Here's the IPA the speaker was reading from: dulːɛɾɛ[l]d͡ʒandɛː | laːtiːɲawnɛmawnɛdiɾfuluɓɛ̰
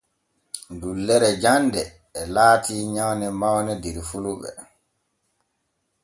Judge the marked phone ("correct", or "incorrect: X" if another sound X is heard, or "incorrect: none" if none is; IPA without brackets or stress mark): incorrect: none